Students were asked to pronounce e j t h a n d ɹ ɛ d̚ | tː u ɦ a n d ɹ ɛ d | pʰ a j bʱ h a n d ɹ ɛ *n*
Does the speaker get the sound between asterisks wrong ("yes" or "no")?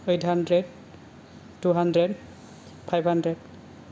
yes